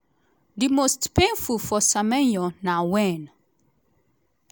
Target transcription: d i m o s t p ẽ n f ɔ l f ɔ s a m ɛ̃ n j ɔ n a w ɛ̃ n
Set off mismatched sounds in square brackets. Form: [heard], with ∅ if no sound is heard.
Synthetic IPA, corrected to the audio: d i m o s t p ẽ n f [u] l f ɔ s a m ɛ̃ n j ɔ n a w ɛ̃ n